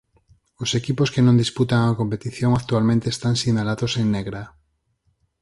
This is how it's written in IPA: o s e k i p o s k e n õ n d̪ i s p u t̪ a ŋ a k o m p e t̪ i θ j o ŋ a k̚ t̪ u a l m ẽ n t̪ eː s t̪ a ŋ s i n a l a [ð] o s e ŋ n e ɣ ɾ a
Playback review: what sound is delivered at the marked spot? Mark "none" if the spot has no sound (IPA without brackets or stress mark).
ð